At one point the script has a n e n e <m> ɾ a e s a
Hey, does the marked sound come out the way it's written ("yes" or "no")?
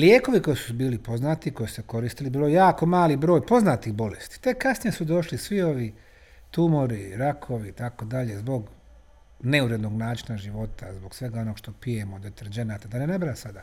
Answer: no